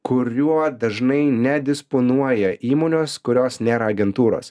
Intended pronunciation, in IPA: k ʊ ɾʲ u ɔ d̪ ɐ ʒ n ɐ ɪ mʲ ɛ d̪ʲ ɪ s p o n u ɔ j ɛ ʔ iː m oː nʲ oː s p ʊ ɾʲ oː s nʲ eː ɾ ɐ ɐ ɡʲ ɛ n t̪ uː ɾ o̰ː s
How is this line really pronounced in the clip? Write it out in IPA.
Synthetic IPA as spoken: k ʊ ɾʲ u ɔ d̪ ɐ ʒ n ɐ ɪ nʲ ɛ d̪ʲ ɪ s p o n u ɔ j ɛ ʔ iː m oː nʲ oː s k ʊ ɾʲ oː s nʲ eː ɾ ɐ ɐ ɡʲ ɛ n t̪ uː ɾ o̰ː s